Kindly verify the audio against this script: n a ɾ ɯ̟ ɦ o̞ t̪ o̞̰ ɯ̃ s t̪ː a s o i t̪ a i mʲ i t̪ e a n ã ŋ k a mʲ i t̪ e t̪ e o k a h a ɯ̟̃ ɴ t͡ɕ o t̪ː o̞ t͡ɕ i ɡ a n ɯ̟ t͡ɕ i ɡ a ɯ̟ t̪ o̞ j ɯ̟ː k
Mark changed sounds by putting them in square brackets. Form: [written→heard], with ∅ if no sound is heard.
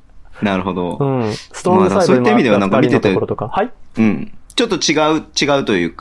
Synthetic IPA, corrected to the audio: n a ɾ ɯ̟ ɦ o̞ [t̪→d̪] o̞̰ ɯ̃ s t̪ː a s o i t̪ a i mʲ i [t̪→d̪] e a n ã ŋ k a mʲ i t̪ e t̪ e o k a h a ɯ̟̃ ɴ t͡ɕ o t̪ː o̞ t͡ɕ i ɡ a [n→∅] ɯ̟ t͡ɕ i ɡ a ɯ̟ t̪ o̞ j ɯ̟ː k